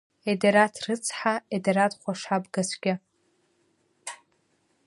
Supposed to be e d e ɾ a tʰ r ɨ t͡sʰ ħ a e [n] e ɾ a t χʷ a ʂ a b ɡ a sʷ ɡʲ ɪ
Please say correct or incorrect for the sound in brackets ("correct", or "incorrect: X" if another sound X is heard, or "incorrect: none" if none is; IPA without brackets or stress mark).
incorrect: d